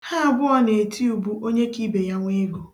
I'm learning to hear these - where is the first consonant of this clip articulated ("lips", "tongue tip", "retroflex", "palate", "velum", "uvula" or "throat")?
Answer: throat